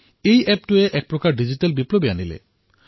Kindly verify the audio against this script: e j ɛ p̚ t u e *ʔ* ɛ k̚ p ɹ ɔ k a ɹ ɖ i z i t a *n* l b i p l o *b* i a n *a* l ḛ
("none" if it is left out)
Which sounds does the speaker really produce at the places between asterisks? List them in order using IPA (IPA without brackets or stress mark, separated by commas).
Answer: ʔ, none, b, i